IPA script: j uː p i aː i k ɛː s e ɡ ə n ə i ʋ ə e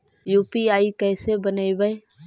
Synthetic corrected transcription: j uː p i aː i k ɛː s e b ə n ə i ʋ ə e

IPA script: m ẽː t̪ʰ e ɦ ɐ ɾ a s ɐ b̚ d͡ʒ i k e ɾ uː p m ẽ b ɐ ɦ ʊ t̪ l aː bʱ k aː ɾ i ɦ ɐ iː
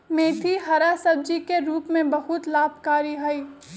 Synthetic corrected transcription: m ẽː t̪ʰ i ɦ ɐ ɾ a s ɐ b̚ d͡ʒ i k e ɾ uː p m ẽ b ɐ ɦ ʊ t̪ l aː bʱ k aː ɾ i ɦ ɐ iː

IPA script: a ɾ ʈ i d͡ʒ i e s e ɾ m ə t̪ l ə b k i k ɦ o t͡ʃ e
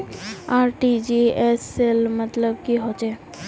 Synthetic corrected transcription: a ɾ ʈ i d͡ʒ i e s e l m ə t̪ l ə b k i ɦ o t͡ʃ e

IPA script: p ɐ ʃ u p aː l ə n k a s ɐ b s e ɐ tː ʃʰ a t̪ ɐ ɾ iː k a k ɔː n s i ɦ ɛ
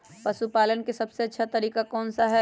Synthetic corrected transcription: p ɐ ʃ u p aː l ə n k e s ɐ b s e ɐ tː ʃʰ a t̪ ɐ ɾ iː k a k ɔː n s a ɦ ɛ

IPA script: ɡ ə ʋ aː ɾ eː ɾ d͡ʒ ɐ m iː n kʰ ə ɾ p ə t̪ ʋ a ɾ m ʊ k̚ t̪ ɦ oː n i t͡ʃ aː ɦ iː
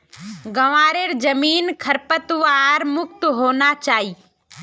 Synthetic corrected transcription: ɡ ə ʋ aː ɾ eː ɾ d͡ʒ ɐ m iː n kʰ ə ɾ p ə t̪ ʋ a ɾ m ʊ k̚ t̪ ɦ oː n a t͡ʃ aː ɦ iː

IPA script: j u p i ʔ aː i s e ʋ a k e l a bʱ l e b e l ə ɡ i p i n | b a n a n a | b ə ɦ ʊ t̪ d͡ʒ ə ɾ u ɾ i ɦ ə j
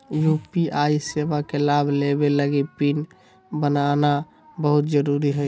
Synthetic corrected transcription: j u p i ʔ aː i s e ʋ a k e l a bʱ l e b e l ə ɡ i p i n | b ə n a n a | b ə ɦ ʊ t̪ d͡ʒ ə ɾ u ɾ i ɦ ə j

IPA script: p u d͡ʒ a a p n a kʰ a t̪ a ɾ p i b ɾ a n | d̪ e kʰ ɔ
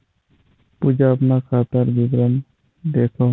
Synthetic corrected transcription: p u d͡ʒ a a p n a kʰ a t̪ a ɾ b i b ɾ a n | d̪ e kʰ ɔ

